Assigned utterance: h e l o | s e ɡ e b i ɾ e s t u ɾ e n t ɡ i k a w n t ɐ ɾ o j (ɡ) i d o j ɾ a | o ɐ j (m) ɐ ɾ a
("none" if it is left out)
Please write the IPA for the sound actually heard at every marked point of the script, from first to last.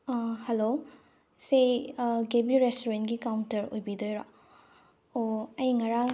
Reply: b, ŋ

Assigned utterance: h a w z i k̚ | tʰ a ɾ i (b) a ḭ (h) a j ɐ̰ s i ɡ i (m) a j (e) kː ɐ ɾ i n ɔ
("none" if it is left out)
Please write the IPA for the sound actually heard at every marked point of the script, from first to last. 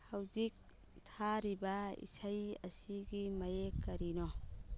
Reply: b, s, m, e

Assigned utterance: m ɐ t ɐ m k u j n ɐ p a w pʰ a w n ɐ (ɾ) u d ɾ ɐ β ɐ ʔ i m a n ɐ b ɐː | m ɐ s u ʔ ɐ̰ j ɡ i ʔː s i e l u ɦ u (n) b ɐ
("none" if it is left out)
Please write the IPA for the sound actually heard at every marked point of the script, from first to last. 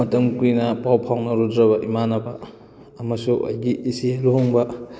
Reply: ɾ, ŋ

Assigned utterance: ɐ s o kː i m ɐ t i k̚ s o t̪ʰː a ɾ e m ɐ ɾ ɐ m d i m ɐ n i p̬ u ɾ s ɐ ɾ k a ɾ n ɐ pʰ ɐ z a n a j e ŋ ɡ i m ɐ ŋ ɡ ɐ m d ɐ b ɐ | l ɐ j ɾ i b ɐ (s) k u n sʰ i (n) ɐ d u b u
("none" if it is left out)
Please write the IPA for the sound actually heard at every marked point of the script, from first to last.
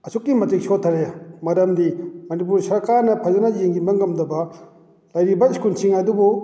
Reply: s, ŋ

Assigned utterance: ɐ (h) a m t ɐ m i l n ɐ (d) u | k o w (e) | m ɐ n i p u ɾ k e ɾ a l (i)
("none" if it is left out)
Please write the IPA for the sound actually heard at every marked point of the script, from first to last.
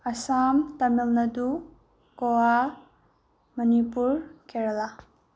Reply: s, d, a, a

